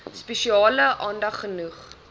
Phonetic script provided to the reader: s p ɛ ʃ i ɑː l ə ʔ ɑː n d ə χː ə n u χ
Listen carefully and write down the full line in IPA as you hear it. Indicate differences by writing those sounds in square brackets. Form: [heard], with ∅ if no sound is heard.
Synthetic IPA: s p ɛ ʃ i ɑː l ə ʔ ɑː n d [ɐ] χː ə n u χ